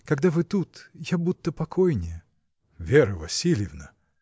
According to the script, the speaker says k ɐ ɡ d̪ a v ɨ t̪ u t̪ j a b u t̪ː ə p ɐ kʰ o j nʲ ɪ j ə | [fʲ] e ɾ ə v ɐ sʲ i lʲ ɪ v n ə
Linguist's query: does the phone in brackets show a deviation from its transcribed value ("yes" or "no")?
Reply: yes